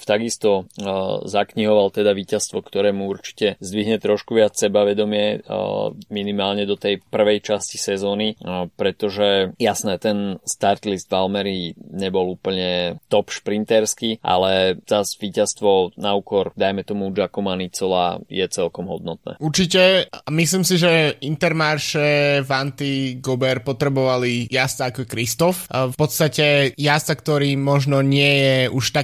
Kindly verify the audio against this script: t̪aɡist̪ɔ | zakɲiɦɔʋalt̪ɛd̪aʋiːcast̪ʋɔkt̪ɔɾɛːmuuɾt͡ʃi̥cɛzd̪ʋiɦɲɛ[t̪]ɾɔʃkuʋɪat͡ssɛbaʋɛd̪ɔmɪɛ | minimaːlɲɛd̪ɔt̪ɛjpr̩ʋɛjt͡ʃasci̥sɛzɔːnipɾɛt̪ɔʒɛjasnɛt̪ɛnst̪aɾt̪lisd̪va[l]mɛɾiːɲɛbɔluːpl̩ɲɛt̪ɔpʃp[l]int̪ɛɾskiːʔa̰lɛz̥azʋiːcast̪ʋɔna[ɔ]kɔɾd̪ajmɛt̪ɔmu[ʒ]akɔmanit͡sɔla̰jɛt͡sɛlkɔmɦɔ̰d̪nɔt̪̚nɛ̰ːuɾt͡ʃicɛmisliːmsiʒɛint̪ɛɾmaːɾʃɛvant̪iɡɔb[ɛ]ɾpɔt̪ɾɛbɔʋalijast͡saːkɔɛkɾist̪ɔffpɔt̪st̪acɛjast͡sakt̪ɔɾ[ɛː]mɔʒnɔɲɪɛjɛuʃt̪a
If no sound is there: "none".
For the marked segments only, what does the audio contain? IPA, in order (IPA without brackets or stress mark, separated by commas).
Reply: t̪, l, ɾ, u, d͡ʒ, ɛ, iː